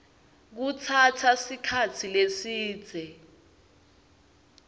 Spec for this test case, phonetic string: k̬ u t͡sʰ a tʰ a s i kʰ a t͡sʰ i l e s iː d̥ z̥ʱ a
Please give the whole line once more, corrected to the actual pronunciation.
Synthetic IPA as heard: k̬ u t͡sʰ a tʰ a s i kʰ a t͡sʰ i l e s iː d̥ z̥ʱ ɛ